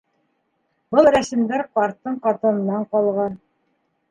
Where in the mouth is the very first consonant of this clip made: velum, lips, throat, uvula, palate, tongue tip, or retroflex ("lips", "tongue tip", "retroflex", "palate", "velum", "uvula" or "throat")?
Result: lips